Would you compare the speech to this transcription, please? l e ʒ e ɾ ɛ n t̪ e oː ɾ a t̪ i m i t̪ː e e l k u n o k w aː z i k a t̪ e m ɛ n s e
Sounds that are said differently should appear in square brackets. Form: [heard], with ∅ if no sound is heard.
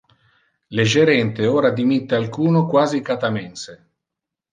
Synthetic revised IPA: l e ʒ e ɾ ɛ n t̪ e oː ɾ a [d̪] i m i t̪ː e [a] l k [uː] n o k w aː z i k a t̪ [a] m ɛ n s e